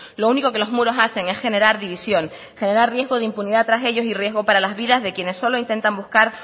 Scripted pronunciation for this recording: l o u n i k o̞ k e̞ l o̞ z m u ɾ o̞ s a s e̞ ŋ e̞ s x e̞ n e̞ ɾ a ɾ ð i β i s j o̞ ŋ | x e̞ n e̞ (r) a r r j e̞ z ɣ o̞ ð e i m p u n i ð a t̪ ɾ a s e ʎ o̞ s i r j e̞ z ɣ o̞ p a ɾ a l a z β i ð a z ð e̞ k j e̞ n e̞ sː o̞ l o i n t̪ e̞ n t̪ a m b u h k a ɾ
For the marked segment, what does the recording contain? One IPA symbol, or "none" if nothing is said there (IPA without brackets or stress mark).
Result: ɾ